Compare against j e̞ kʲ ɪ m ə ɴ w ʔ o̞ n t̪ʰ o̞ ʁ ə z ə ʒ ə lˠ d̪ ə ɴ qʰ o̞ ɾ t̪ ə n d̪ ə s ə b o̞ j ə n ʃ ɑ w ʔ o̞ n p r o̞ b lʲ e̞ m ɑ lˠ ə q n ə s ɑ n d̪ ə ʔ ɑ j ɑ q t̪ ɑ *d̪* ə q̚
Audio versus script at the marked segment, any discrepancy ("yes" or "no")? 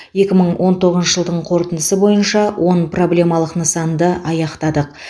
no